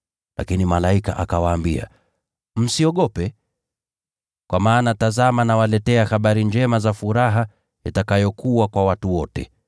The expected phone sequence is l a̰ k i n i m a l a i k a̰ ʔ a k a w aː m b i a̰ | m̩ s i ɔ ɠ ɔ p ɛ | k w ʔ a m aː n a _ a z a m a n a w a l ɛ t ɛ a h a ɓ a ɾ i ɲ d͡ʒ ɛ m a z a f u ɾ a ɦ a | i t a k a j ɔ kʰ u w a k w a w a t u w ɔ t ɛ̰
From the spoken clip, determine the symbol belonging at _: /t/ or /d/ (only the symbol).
t